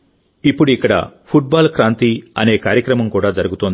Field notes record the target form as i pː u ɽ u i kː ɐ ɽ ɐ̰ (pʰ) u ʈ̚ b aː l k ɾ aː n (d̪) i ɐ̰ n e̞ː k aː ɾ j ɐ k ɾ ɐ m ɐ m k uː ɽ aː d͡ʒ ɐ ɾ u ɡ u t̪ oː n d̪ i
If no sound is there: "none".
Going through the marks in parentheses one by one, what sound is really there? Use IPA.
pʰ, t̪

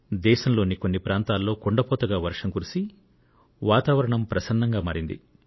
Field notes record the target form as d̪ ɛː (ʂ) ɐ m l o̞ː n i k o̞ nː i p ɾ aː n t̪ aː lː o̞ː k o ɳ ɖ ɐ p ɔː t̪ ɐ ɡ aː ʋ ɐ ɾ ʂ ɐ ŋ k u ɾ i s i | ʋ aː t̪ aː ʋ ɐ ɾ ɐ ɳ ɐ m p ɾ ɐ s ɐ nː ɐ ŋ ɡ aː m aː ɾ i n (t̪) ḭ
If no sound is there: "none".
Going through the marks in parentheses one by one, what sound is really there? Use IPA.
ʃ, d̪

